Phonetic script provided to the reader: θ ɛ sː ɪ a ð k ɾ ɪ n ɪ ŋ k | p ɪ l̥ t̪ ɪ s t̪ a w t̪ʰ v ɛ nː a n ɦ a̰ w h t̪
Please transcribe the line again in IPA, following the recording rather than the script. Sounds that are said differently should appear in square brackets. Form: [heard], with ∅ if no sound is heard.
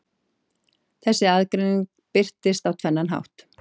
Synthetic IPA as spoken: θ ɛ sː ɪ a ð k ɾ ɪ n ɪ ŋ k | p ɪ [r̥] t̪ ɪ s t̪ a w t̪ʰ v ɛ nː a n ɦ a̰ w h t̪